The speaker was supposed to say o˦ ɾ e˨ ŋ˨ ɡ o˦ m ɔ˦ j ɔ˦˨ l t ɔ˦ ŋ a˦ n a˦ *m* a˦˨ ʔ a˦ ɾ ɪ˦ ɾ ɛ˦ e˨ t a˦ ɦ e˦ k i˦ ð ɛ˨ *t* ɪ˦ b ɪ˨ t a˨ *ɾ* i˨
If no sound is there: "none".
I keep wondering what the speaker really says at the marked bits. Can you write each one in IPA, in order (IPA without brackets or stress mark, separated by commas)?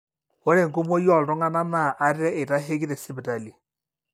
m, s, l